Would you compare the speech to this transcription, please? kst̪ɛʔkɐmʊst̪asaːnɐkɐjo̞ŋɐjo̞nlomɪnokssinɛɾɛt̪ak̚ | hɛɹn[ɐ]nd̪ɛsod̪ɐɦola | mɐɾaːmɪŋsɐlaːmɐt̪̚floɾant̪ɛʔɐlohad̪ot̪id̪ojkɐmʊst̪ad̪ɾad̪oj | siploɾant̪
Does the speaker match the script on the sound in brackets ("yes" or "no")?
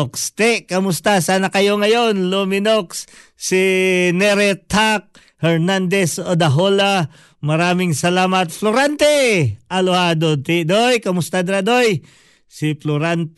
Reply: no